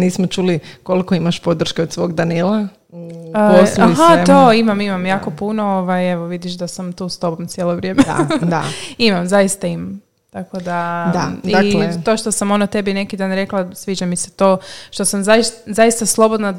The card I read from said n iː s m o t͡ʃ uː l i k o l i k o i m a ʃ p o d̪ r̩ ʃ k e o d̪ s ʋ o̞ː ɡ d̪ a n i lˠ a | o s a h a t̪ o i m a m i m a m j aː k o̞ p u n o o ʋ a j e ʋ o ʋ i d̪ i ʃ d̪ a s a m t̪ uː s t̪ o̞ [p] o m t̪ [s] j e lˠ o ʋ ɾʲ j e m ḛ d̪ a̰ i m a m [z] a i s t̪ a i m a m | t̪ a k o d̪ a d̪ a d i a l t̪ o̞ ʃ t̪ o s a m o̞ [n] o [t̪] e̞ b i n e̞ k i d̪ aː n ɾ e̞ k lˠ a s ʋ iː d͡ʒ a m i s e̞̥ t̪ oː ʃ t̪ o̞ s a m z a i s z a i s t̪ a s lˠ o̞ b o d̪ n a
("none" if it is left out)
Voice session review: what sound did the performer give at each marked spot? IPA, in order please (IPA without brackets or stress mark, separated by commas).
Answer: b, s, z, n, t̪